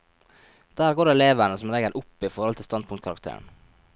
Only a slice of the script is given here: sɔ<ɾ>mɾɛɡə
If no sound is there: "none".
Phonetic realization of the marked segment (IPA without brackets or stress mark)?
none